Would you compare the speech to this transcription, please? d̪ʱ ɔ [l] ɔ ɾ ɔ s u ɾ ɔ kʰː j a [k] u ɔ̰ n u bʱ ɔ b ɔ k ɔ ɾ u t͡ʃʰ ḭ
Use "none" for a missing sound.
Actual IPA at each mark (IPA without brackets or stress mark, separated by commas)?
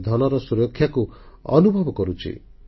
l, k